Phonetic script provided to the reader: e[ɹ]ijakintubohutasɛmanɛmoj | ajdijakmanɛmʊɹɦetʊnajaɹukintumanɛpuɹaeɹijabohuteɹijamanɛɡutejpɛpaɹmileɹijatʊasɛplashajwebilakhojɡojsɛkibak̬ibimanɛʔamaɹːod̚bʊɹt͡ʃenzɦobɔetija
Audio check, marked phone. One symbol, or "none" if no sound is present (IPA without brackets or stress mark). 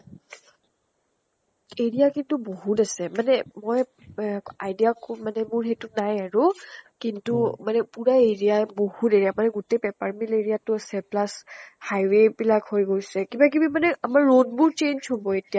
ɹ